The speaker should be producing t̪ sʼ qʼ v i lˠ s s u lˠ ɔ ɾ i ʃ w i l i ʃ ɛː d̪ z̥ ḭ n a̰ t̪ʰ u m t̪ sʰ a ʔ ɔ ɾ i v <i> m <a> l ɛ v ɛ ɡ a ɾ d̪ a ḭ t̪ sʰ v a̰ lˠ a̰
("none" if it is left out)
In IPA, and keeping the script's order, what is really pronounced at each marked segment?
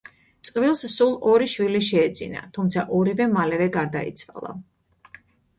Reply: ɛ, a

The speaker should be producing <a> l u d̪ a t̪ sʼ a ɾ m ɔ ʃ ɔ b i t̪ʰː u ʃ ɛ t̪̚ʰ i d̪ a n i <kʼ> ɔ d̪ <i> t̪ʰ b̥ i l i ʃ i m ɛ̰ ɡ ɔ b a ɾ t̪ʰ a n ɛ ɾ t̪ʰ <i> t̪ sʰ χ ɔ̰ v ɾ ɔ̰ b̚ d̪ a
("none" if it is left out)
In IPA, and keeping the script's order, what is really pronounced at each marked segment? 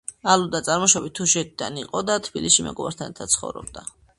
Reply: a, qʼ, a, a

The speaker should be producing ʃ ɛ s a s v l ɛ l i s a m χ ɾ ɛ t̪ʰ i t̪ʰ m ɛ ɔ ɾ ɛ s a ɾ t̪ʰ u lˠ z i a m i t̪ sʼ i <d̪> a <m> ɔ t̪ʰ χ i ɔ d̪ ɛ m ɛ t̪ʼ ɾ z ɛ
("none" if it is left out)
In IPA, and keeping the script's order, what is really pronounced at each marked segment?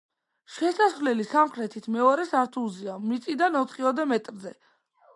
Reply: d̪, n

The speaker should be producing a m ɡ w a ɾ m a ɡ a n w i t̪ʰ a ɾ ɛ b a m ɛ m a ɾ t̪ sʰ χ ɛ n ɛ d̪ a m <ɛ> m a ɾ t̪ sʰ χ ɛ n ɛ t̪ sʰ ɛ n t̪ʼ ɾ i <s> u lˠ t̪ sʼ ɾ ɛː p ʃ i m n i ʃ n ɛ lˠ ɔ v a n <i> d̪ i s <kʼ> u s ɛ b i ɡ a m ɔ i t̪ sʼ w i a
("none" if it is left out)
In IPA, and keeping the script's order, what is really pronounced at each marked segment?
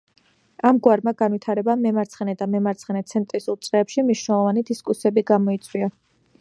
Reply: ɛ, s, i, kʼ

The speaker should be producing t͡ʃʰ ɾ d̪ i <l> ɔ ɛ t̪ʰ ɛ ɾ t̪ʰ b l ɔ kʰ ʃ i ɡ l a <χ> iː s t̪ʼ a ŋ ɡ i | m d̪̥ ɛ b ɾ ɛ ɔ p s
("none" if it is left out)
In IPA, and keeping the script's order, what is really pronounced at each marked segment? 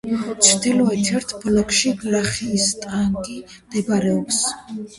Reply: l, χ

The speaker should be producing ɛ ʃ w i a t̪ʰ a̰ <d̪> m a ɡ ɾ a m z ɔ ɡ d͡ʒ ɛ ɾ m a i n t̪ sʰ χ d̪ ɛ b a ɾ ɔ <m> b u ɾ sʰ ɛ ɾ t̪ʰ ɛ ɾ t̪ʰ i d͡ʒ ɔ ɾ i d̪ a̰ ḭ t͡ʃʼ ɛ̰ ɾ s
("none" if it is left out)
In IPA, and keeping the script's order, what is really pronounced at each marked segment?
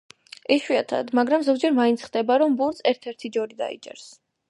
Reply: d̪, m

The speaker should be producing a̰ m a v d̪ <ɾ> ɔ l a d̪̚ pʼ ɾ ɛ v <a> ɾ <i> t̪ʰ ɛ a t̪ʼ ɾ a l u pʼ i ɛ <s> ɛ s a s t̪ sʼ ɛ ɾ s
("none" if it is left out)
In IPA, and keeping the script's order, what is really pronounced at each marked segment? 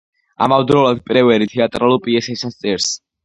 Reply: ɾ, ɛ, i, s

